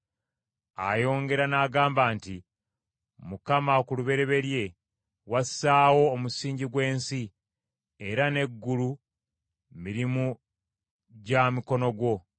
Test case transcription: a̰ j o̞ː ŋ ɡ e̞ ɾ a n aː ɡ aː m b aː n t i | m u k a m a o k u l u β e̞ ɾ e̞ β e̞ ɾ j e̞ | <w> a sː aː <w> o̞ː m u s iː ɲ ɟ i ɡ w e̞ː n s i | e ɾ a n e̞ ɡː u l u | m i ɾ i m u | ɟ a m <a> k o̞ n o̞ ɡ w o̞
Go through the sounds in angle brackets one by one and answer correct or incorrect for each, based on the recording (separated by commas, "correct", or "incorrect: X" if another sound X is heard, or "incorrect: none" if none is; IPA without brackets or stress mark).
correct, correct, incorrect: i